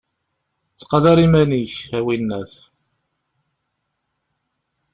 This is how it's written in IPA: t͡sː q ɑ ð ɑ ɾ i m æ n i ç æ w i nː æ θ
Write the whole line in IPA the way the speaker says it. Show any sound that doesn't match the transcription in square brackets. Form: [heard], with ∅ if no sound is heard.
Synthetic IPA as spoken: t͡sː q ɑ ð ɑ ɾ i m æ n i ç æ w i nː æ θ

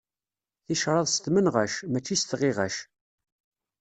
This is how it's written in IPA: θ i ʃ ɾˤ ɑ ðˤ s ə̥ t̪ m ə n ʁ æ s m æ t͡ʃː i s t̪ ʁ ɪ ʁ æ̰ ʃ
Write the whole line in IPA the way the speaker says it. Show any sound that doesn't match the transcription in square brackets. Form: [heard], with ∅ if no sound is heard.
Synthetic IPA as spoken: θ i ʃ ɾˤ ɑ ðˤ s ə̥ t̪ m ə n ʁ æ [ʃ] m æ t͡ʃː i s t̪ ʁ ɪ ʁ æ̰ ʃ

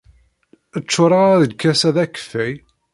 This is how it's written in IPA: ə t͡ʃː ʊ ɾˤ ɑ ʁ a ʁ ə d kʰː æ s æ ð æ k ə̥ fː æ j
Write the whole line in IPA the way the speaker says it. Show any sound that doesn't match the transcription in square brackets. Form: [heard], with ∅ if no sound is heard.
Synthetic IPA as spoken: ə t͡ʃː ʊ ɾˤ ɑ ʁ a [ð] ə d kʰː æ s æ ð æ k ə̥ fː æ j

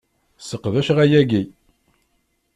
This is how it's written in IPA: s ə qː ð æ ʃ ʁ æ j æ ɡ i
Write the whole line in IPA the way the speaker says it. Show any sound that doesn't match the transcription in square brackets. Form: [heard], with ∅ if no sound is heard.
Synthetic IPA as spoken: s ə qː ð æ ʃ ʁ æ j æ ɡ i

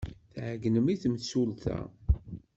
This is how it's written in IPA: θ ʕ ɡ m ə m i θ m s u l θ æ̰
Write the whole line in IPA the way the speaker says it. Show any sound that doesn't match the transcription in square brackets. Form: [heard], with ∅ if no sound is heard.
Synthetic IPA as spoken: θ ʕ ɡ [n] ə m i θ m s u l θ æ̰

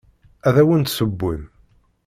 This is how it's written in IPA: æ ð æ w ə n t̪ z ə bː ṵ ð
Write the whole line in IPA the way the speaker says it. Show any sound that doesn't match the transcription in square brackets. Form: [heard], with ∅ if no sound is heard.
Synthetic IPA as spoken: æ ð æ w ə n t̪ [s] ə bː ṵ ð

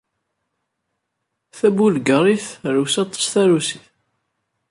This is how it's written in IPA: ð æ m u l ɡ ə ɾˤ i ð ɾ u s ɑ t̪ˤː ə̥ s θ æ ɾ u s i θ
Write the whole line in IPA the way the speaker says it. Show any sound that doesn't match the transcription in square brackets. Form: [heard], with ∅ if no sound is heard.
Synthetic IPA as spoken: [θ] æ [b] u l ɡ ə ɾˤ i [θ] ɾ u s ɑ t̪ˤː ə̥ s θ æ ɾ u s i θ

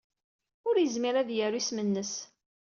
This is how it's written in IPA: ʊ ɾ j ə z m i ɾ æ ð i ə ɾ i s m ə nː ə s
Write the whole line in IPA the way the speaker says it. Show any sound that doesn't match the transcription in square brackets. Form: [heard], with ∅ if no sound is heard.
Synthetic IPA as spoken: ʊ ɾ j ə z m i ɾ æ ð [j] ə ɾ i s m ə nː ə s

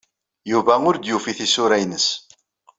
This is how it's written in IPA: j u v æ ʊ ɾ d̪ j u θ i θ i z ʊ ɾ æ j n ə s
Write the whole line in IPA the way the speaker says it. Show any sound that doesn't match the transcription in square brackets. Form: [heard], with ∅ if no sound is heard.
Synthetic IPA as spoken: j u v æ ʊ ɾ d̪ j u [f] i θ i [s] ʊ ɾ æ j n ə s

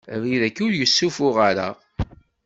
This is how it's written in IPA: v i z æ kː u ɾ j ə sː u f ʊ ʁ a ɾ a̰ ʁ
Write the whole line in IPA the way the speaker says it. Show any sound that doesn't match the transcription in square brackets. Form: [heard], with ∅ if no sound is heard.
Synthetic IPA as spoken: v i [ð] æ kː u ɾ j ə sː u f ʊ ʁ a ɾ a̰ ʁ

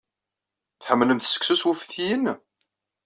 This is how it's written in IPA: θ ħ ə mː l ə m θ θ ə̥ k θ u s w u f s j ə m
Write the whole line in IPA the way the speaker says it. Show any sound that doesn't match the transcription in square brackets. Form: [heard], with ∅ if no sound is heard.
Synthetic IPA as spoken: θ ħ ə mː l ə m θ [s] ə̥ k [s] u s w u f [θ] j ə [n]

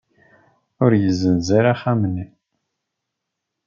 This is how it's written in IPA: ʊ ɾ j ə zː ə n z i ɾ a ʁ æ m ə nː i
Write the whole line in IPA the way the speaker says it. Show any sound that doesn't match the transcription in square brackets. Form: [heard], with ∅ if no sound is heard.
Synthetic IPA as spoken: ʊ ɾ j ə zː ə n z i ɾ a [χ] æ m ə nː i

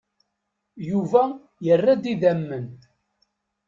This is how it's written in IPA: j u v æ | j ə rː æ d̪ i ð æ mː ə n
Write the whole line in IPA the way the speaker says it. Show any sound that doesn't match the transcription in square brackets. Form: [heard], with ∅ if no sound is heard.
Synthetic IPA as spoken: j u v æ | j ə rː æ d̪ i ð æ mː ə n

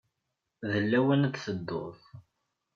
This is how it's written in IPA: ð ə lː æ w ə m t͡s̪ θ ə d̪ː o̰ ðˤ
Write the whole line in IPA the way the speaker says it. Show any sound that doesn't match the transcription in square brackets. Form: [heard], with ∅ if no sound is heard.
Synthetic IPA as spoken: ð ə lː æ w ə [n] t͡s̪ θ ə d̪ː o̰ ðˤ

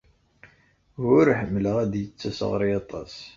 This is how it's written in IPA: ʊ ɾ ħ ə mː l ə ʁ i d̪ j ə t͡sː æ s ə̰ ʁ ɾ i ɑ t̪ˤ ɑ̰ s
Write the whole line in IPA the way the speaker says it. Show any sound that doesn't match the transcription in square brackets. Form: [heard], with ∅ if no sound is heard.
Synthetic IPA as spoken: ʊ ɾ ħ ə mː l ə ʁ [æ] d̪ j ə t͡sː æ s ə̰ ʁ ɾ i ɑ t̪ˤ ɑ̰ s

